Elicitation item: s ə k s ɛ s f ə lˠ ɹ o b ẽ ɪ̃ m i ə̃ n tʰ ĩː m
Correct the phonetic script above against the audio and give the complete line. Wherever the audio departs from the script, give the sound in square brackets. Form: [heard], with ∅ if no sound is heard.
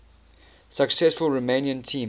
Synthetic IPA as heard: s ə k s ɛ s f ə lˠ ɹ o [m] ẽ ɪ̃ [n] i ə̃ n tʰ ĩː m